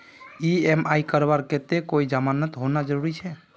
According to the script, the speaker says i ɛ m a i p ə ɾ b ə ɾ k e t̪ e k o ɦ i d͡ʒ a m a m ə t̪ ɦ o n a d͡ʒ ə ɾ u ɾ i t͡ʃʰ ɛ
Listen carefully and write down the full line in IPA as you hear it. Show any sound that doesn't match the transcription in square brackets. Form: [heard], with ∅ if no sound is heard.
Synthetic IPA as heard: i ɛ m a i [k] ə ɾ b [a] ɾ k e t̪ e k o [∅] i d͡ʒ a m a [n] ə t̪ ɦ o n a d͡ʒ ə ɾ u ɾ i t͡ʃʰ ɛ